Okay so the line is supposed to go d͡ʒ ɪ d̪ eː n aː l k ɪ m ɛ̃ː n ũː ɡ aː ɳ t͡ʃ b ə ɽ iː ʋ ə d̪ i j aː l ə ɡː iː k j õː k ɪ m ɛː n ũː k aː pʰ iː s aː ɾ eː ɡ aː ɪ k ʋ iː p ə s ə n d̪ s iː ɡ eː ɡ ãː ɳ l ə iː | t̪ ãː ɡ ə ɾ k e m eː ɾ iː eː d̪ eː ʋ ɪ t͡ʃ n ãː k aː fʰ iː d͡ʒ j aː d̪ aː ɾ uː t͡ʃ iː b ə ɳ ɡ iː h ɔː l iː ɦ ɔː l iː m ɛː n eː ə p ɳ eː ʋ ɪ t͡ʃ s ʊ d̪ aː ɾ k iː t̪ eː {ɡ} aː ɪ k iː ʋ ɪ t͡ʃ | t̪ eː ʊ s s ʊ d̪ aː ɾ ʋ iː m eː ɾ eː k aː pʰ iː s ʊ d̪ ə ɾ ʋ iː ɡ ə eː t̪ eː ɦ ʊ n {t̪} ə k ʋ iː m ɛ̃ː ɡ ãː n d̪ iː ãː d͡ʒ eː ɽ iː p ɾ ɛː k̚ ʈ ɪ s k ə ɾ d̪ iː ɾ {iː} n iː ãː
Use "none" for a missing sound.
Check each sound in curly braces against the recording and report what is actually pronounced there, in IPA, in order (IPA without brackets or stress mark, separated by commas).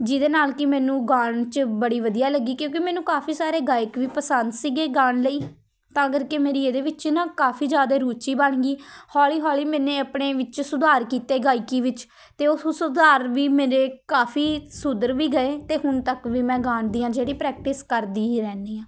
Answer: ɡ, t̪, ɛː